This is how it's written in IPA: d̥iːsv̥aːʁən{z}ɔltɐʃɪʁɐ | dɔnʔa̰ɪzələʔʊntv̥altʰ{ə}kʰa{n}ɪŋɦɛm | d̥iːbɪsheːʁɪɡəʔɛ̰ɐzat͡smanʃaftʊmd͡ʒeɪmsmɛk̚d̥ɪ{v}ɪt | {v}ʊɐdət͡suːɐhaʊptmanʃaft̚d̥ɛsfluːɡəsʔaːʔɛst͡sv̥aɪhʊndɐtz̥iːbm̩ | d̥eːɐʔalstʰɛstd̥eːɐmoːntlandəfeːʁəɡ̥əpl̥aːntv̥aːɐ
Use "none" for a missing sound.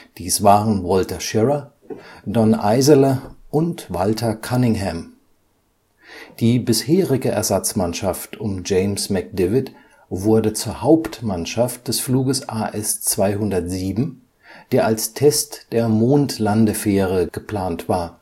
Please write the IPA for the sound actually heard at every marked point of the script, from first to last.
v, ɐ, n, v, v

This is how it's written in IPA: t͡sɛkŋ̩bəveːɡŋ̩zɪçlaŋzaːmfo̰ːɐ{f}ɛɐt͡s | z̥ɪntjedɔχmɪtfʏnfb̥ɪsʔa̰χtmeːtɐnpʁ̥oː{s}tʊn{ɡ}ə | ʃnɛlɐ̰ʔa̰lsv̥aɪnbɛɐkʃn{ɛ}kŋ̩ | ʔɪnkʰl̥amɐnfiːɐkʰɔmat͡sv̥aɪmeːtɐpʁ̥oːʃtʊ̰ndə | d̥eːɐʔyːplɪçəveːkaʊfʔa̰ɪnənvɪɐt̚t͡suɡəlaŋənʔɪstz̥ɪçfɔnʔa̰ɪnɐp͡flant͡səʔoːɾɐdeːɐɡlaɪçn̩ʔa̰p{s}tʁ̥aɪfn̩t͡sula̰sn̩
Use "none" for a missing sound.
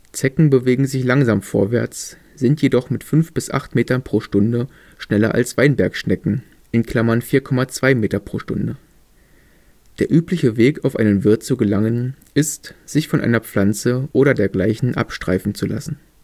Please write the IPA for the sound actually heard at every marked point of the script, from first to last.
v, ʃ, d, ɛ, ʃ

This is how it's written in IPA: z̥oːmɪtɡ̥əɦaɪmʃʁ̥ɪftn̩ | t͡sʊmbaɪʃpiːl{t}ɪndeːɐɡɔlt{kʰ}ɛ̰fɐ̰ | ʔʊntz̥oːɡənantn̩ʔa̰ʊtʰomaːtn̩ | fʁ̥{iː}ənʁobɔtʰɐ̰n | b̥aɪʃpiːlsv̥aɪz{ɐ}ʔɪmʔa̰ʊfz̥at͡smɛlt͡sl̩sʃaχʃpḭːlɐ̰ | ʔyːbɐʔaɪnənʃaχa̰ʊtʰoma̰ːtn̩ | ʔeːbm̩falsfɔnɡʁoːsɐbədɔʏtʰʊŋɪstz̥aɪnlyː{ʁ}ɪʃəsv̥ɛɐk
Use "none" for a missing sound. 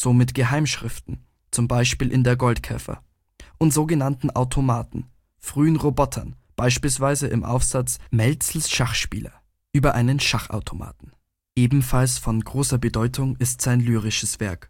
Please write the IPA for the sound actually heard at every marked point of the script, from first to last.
ʔ, kʰ, yː, ə, ʁ

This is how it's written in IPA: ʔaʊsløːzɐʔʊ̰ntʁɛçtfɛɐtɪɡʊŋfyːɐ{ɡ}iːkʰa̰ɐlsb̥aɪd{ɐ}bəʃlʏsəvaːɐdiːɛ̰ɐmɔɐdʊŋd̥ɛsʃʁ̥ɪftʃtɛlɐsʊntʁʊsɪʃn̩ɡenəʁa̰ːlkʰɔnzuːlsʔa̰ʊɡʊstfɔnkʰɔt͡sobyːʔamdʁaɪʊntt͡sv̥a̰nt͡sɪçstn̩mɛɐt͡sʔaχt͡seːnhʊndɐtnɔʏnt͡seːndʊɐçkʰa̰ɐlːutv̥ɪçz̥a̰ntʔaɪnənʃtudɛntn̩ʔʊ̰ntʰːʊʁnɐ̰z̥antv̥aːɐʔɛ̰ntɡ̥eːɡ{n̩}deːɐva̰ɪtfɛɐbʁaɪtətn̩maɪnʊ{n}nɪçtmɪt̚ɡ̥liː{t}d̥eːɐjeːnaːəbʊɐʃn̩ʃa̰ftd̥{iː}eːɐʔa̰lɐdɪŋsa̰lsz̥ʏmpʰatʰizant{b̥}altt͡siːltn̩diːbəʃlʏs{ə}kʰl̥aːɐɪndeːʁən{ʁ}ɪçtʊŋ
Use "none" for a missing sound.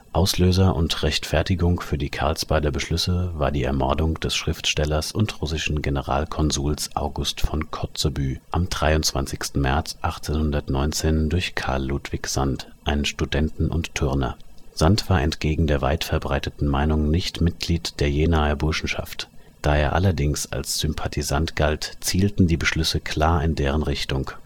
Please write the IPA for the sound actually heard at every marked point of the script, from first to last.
d, ɐ, ŋ̩, ŋ, t, aː, ɡ̥, ə, ʁ

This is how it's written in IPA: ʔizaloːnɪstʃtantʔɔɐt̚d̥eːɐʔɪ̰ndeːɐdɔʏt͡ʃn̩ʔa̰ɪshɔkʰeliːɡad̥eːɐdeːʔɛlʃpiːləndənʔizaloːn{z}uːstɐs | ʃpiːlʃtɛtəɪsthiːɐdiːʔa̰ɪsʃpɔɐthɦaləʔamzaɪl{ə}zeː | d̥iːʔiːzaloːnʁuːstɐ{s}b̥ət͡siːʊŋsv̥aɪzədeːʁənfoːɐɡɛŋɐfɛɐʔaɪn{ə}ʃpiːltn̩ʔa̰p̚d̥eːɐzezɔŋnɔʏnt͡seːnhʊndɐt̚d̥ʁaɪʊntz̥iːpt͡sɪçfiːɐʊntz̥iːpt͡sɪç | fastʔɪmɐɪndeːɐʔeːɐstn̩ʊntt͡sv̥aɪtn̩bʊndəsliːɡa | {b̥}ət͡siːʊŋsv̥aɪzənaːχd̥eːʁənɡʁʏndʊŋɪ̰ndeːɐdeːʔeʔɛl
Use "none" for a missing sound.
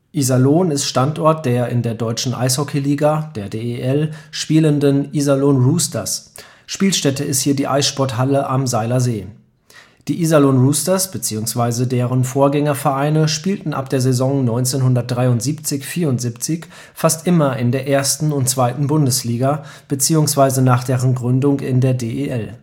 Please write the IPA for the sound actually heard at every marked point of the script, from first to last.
ʁ, ɐ, s, ə, b̥

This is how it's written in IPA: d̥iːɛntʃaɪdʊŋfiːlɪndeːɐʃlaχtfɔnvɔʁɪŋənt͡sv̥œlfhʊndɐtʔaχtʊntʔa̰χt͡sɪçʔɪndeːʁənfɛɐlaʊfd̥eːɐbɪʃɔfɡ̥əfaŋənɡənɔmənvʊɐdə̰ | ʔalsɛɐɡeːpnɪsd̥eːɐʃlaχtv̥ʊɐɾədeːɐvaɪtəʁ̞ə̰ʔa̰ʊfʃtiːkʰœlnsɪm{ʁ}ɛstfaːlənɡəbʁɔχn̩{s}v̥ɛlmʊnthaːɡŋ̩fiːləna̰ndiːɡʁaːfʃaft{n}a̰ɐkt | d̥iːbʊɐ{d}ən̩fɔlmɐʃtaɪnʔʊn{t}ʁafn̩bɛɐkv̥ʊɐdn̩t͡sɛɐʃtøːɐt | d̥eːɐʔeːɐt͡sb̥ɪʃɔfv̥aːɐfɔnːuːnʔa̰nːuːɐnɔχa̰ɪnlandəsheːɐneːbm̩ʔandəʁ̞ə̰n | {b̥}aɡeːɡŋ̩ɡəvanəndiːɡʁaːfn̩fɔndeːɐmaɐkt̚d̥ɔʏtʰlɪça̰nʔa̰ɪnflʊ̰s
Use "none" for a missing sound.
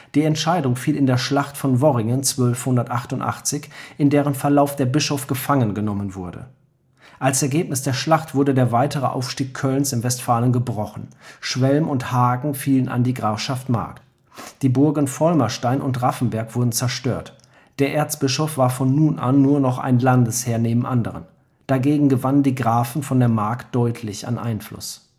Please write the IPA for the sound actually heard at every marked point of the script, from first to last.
v, ʃ, m, ɡ, t, d̥

